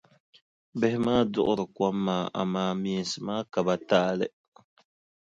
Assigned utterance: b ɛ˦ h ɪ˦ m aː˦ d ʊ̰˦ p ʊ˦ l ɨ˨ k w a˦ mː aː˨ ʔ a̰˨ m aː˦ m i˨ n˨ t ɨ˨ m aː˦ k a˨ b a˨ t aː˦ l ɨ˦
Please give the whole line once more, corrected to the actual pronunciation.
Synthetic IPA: b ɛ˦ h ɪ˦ m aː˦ d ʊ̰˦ ʔ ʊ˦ ɾ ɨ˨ k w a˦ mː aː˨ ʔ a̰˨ m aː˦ m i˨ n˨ s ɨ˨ m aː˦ k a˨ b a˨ t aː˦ l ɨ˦